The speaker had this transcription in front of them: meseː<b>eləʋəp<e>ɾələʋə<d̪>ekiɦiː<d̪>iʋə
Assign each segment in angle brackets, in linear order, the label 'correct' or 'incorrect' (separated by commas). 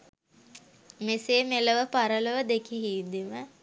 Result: incorrect, incorrect, correct, correct